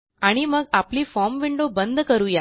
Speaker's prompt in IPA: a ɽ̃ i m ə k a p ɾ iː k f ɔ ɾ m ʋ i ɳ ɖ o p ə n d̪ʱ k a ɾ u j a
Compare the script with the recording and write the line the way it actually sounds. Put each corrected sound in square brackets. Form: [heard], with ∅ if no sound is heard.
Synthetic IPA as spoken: a ɽ̃ i m ə [ɡ] a p [l] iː [∅] f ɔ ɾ m ʋ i ɳ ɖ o [b] ə n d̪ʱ k [ə] ɾ u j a